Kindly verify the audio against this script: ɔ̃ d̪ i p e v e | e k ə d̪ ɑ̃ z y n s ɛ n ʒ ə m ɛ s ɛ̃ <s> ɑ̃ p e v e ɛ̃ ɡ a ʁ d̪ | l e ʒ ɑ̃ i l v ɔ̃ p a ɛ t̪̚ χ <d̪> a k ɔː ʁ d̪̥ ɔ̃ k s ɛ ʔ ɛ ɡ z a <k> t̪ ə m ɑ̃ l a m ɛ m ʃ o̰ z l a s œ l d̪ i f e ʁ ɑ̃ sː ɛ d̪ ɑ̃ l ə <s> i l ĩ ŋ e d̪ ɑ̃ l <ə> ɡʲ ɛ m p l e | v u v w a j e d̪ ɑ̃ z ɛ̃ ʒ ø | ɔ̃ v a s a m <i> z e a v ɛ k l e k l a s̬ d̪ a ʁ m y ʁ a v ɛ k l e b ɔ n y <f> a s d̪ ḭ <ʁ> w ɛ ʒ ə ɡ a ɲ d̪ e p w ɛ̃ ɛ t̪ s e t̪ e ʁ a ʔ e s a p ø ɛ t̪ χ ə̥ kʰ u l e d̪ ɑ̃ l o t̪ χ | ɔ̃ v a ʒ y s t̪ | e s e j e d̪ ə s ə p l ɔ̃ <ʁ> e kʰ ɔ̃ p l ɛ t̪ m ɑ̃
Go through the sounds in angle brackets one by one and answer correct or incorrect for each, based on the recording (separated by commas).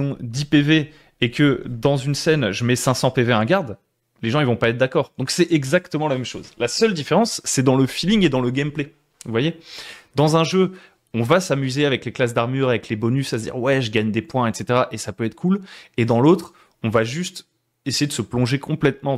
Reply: correct, correct, correct, incorrect, correct, incorrect, incorrect, correct, incorrect